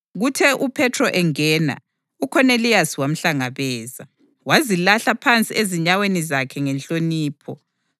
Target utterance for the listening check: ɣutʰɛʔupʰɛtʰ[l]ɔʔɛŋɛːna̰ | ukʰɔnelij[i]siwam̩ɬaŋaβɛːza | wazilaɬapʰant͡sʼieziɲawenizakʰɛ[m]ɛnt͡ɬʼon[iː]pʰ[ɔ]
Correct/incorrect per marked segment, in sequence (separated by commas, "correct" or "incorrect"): incorrect, incorrect, incorrect, correct, correct